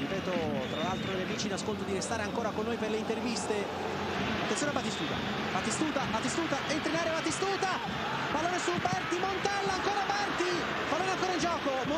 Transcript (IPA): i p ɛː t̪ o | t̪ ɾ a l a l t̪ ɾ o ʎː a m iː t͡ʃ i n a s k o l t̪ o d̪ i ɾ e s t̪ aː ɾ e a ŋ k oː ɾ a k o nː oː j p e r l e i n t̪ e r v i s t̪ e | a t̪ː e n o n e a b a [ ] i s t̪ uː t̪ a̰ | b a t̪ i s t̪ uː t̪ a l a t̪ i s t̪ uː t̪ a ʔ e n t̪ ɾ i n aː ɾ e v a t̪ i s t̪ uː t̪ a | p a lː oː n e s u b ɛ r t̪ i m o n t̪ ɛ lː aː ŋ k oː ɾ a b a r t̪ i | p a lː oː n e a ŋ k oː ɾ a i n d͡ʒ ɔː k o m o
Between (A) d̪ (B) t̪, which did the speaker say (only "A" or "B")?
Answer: B